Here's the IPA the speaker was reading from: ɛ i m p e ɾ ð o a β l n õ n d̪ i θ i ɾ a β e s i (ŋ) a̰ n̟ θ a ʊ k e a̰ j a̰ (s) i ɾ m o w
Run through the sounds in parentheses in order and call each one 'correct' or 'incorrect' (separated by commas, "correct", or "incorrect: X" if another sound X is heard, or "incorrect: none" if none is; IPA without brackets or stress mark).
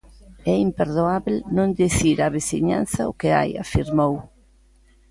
incorrect: ɲ, incorrect: f